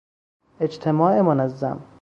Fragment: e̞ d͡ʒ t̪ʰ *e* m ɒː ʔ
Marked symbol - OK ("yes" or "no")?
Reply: yes